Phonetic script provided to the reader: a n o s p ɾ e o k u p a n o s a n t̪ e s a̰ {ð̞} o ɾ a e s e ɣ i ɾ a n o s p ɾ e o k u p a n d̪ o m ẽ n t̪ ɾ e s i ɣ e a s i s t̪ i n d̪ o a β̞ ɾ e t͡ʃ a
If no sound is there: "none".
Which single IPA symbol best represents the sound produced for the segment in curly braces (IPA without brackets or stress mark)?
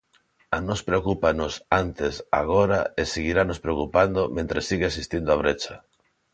ɣ̞